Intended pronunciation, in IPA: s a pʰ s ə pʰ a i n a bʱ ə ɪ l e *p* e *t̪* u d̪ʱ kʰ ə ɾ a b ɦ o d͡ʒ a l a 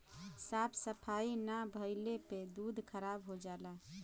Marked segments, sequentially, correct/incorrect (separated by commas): correct, incorrect